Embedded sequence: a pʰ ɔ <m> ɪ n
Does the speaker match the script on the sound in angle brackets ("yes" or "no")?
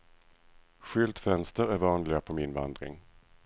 yes